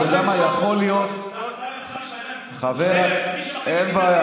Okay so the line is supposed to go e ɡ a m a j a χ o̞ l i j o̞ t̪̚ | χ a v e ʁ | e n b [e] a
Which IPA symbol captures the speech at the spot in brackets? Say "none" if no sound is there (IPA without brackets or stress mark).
a